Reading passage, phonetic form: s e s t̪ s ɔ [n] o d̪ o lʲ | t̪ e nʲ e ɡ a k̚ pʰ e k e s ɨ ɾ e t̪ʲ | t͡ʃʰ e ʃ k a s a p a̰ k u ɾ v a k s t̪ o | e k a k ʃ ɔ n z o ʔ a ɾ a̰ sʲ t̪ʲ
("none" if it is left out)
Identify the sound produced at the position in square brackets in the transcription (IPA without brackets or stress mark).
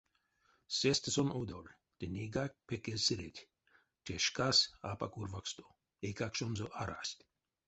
n